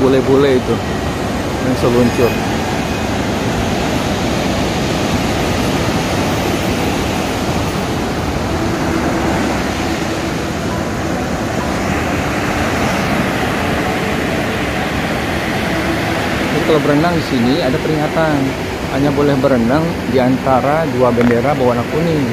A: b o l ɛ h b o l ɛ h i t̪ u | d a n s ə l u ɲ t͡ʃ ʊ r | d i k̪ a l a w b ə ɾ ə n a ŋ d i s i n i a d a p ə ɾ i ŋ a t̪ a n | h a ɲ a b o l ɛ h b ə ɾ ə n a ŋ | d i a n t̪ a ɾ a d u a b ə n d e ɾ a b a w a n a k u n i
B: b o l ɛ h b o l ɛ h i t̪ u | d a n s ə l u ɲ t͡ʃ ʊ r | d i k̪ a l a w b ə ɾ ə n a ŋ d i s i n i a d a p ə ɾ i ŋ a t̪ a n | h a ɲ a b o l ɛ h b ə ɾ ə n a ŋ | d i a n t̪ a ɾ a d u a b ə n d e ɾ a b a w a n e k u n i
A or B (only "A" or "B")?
A